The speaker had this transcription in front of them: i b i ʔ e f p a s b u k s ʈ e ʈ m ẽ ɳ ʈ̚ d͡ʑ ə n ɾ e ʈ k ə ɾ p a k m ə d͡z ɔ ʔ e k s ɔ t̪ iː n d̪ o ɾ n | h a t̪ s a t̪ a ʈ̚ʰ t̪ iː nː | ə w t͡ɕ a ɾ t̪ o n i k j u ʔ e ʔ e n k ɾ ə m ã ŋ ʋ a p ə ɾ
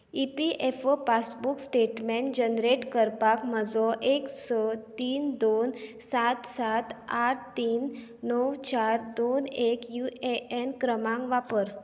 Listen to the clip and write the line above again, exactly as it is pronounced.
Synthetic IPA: i p i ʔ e f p a s b u k s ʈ e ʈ m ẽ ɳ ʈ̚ d͡ʑ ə n ɾ e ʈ k ə ɾ p a k m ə d͡z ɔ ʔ e k s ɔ t̪ iː n d̪ o n | s a t̪ s a t̪ a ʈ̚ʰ t̪ iː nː | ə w t͡ɕ a ɾ d̪ o n e k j u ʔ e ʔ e n k ɾ ə m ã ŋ ʋ a p ə ɾ